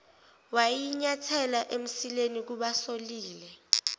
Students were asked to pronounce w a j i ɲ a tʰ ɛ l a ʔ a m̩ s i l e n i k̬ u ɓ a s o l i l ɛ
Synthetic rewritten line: w a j i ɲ a tʰ ɛ l a ʔ e m̩ s i l e n i k̬ u ɓ a s o l iː l ɛ